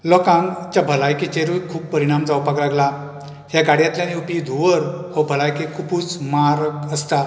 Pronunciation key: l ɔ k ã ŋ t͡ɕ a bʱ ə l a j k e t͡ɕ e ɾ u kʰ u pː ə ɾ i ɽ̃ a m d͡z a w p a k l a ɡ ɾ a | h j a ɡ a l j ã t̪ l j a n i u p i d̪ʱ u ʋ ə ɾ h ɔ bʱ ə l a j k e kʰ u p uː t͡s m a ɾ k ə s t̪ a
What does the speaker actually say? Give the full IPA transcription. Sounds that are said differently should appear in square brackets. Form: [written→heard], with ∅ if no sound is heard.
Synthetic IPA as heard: l ɔ k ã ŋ t͡ɕ a bʱ ə l a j k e t͡ɕ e ɾ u kʰ [u→uː] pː ə ɾ i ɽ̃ a m d͡z a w p a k l a ɡ [ɾ→l] a | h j a ɡ a [l→ɽ] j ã t̪ l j a n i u p i d̪ʱ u ʋ ə ɾ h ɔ bʱ ə l a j k e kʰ u p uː t͡s m a ɾ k ə s t̪ a